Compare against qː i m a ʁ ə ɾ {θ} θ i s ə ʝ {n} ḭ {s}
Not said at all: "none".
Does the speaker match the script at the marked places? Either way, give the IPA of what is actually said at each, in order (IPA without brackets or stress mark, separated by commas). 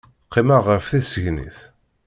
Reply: f, n, θ